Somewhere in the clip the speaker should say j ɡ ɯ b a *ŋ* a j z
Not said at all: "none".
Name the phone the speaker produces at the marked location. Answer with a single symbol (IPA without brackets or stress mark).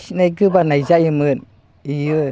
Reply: n